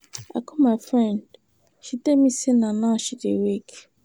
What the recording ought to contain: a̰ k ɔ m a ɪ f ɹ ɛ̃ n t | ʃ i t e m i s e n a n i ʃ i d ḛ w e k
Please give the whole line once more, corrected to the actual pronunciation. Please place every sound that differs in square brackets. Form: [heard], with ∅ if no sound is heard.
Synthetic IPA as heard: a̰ k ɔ m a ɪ f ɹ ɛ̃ n [d] | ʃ i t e m i s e n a n [a] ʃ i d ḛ w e k